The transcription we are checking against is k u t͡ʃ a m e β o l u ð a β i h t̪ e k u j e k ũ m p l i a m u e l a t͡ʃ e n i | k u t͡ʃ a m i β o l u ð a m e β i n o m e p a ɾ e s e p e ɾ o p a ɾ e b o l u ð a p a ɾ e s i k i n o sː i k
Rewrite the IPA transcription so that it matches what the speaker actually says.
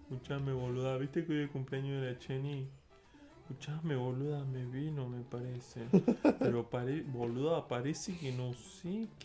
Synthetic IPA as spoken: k u t͡ʃ a m e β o l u ð a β i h t̪ e k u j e k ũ m p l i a ɲ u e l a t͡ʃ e n i | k u t͡ʃ a m e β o l u ð a m e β i n o m e p a ɾ e s e p e ɾ o p a ɾ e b o l u ð a p a ɾ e s i k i n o s i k